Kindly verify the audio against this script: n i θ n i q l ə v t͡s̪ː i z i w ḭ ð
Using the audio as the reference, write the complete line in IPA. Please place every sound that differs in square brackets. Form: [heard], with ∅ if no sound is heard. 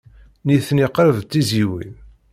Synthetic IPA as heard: n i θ n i q [ɾ] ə v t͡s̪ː i z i w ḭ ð